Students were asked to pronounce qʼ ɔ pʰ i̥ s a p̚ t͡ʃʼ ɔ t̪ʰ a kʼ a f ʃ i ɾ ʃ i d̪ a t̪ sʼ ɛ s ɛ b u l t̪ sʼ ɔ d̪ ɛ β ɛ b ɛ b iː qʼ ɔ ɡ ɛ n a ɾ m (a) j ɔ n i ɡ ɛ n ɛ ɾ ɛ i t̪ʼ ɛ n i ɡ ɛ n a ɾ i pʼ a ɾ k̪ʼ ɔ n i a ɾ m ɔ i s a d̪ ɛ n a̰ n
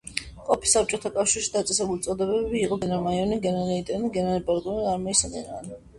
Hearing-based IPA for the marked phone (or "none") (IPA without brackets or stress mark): a